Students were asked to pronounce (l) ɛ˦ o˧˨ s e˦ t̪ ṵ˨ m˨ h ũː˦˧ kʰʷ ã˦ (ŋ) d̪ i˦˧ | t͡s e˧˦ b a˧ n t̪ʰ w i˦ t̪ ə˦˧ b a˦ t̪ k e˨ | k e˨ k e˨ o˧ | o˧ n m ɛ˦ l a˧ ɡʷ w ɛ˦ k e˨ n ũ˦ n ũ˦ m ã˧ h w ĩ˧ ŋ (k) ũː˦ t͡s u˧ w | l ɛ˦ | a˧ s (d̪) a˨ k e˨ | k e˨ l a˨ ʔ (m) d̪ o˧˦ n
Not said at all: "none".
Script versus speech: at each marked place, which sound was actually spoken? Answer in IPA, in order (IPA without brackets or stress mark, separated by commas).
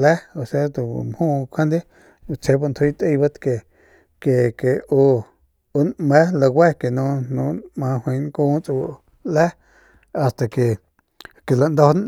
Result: l, n, k, t̪, n